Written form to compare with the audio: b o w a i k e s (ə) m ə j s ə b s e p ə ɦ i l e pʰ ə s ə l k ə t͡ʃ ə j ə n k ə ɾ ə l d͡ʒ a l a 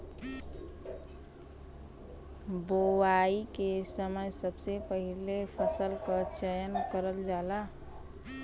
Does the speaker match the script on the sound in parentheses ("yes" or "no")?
yes